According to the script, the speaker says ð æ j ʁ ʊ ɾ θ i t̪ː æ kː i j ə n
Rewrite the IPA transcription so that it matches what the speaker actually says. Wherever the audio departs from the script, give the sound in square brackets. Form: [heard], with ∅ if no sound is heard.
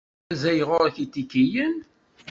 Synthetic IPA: [z] æ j ʁ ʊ ɾ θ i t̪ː [i] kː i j ə n